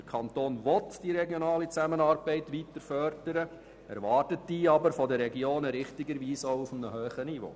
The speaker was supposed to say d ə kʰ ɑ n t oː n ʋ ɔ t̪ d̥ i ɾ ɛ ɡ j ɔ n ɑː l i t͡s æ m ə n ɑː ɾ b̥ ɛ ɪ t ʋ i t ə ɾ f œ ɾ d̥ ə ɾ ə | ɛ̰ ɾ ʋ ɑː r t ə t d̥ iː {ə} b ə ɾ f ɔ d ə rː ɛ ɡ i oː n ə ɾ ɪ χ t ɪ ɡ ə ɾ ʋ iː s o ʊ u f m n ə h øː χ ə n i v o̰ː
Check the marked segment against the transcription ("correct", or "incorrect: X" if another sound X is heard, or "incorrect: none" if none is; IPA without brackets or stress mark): incorrect: ɑ